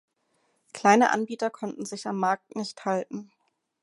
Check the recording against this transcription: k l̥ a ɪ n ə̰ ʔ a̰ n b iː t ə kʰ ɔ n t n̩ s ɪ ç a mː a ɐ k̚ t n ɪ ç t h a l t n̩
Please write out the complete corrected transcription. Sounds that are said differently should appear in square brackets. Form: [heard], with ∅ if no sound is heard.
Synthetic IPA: k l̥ a ɪ n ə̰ ʔ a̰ n b iː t [ɐ] kʰ ɔ n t n̩ [z] ɪ ç a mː a ɐ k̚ t n ɪ ç t h a l t n̩